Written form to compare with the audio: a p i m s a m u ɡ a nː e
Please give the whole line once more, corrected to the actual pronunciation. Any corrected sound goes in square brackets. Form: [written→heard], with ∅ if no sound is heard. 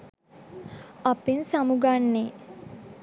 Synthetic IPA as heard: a p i [m→n] s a m u ɡ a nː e